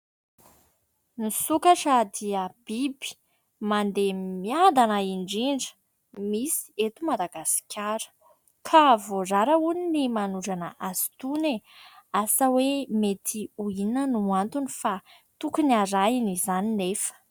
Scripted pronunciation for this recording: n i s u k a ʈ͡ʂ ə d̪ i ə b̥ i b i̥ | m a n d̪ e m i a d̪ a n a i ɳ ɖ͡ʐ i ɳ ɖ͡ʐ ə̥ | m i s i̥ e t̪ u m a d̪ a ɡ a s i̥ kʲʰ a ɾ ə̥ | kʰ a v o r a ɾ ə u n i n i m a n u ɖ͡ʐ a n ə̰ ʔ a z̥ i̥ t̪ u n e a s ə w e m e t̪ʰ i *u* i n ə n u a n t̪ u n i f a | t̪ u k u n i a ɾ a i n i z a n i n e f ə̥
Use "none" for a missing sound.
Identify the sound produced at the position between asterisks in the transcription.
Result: u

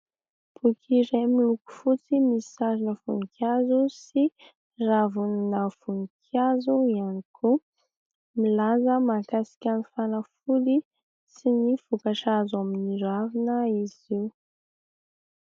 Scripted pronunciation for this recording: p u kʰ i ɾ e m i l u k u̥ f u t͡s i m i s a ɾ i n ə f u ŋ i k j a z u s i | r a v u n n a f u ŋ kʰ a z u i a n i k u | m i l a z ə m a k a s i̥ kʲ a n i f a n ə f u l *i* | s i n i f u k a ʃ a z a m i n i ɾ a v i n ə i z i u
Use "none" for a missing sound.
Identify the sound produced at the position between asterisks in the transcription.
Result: i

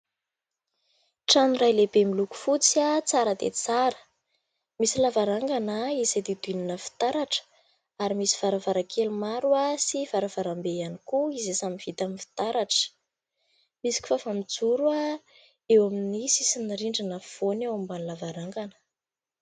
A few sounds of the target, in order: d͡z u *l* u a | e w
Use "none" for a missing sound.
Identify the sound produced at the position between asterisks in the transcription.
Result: ɾ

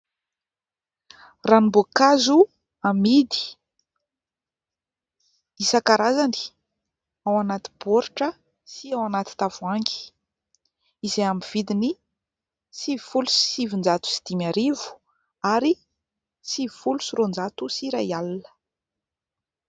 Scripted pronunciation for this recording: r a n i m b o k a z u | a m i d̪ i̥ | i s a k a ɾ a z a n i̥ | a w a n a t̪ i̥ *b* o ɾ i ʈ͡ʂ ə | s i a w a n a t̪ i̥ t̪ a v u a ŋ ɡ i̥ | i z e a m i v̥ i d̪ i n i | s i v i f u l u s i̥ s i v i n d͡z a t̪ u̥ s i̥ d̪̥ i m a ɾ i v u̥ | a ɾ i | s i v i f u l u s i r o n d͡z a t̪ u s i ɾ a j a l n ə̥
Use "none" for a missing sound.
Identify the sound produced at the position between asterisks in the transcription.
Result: b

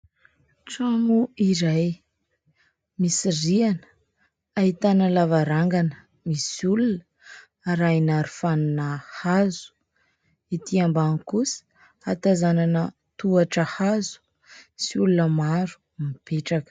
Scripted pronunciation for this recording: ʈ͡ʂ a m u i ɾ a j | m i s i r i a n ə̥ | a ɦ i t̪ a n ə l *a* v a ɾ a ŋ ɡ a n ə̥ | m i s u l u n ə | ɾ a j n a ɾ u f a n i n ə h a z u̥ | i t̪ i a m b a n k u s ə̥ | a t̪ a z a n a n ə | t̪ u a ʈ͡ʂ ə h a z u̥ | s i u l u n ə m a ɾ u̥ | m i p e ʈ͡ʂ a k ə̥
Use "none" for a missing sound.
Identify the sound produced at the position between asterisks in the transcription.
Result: a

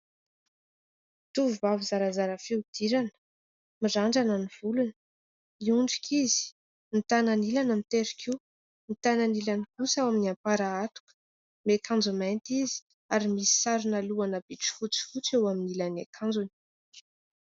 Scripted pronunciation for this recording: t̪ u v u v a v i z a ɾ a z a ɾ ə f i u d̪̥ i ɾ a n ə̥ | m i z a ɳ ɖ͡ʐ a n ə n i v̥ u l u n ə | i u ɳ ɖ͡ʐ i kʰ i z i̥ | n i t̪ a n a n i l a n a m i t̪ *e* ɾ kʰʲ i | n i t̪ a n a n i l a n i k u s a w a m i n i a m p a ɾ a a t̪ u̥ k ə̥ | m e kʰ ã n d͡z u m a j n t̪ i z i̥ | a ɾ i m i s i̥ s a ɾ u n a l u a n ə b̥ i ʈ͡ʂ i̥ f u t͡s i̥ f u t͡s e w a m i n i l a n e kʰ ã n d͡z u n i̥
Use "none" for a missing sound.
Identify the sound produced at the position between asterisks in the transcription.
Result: e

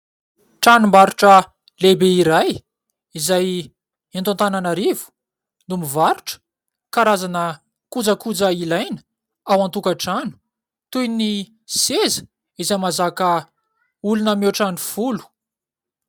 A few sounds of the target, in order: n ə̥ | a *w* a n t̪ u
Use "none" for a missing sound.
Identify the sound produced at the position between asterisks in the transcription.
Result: w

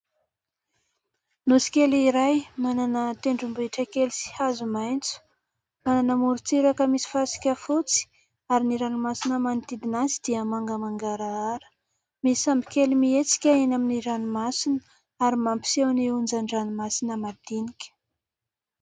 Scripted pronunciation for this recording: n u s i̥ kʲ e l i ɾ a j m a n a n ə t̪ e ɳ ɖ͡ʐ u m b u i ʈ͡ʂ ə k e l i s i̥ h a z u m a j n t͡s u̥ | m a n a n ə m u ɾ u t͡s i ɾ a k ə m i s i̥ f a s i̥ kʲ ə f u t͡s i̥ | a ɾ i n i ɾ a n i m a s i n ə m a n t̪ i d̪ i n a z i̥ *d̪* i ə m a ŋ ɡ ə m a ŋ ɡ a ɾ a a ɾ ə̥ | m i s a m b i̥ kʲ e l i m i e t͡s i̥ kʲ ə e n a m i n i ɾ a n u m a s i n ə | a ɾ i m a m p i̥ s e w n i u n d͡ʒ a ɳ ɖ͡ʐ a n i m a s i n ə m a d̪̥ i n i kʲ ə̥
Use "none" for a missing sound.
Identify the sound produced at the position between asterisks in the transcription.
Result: d̪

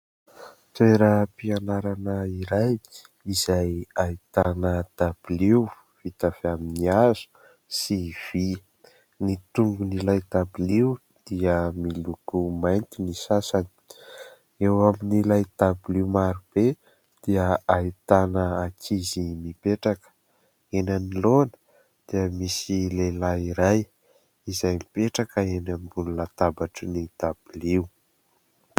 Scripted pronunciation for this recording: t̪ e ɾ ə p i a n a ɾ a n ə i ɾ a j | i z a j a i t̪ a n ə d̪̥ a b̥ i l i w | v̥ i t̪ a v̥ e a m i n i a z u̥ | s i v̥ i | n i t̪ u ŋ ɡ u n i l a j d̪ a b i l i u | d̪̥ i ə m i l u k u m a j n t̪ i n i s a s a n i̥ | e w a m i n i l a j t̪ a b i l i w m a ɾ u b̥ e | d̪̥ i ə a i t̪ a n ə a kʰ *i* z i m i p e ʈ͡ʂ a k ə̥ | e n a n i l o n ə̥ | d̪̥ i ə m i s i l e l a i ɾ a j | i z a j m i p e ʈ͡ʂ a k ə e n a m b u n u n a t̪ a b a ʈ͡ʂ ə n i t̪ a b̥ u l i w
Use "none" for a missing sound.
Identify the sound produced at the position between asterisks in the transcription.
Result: i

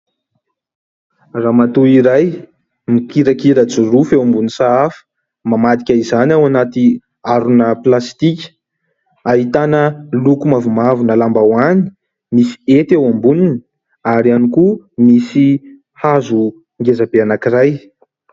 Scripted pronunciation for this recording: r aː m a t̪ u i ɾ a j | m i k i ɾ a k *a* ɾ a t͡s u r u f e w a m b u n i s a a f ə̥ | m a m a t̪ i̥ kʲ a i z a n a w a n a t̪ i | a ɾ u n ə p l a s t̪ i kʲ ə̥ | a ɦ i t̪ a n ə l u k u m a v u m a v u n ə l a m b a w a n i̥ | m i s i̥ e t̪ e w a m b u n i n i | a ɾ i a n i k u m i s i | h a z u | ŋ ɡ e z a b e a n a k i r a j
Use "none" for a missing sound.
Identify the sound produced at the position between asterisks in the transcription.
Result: i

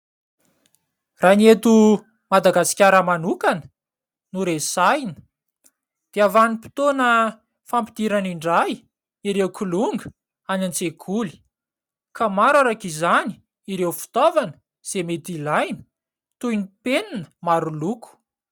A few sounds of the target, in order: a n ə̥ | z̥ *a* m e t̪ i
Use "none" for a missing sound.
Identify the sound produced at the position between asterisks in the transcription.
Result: e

